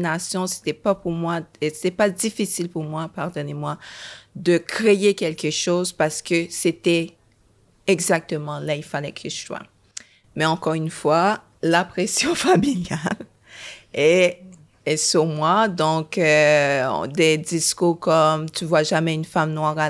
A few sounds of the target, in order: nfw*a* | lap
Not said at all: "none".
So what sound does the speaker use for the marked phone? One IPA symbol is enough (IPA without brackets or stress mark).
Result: a